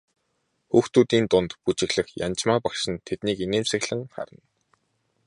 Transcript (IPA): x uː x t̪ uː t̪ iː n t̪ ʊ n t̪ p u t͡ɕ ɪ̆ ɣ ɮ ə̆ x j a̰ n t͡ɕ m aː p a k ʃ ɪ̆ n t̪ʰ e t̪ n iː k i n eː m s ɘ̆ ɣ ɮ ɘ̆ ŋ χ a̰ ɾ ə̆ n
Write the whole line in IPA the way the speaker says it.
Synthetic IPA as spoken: x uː x t̪ uː t̪ iː n t̪ ʊ n t̪ p u t͡ɕ ɪ̆ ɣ ɮ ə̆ x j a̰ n t͡ɕ m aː p a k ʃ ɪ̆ n t̪ʰ e t̪ n iː k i n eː m s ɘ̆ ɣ ɮ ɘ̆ ŋ χ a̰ ɾ ə̆ n